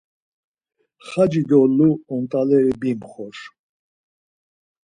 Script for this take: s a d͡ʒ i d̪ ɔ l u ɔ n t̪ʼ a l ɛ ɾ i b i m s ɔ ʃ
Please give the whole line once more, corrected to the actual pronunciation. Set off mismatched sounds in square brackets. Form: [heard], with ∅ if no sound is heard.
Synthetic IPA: [χ] a d͡ʒ i d̪ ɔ l u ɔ n t̪ʼ a l ɛ ɾ i b i m [χ] ɔ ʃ